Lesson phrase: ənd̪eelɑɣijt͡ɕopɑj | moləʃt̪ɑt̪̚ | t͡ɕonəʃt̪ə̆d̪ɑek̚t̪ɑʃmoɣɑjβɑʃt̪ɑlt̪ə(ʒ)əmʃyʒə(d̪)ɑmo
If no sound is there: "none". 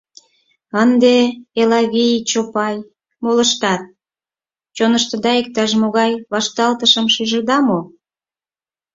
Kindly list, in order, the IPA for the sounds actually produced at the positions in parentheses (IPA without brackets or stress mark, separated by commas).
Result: ʃ, d̪